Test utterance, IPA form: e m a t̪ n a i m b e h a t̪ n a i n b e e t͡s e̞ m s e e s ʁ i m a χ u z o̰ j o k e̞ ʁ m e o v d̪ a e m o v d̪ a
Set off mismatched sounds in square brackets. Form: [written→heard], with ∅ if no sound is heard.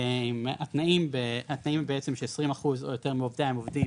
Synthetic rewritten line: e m a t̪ n a i m b e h a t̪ n a i [n→m] b e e t͡s e̞ m [s→ʃ] e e s ʁ i m a χ u z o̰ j o [k→t] e̞ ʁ m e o v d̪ a e m o v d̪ [a→i]